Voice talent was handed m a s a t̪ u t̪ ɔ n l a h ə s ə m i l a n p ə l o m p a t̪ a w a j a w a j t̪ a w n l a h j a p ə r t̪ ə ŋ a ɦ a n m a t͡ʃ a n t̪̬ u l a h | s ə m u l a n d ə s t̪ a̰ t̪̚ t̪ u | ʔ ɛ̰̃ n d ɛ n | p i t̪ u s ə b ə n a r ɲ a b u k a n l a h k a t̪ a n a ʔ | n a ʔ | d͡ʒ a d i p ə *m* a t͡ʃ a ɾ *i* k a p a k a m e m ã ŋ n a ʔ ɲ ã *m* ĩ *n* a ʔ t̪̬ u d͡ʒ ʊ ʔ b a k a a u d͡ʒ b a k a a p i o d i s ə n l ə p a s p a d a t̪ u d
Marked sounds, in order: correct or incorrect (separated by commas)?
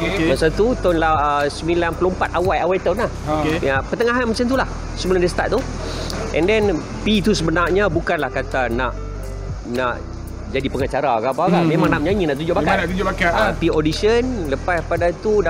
incorrect, incorrect, incorrect, correct